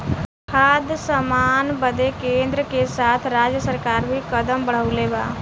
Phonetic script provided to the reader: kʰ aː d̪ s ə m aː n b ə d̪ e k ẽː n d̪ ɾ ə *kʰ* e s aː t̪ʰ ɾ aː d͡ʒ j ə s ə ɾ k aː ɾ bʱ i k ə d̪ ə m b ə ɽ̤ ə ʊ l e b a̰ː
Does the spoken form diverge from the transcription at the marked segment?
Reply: yes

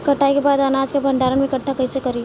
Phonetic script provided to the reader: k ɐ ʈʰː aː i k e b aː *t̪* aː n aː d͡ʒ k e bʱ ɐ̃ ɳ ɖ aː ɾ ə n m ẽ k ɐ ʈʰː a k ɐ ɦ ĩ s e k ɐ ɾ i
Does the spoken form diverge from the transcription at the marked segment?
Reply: yes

